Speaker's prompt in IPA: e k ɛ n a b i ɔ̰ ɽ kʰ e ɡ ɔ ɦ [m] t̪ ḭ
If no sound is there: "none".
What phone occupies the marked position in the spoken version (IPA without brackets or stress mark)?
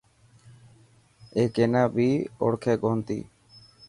n